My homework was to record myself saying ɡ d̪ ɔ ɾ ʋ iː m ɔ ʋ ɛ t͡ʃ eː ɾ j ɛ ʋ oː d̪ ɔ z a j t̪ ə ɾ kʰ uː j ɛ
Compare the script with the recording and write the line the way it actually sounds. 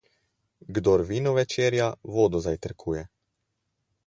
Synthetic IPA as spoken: ɡ d̪ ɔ ɾ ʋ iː n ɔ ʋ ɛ t͡ʃ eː ɾ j a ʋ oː d̪ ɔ z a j t̪ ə ɾ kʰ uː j ɛ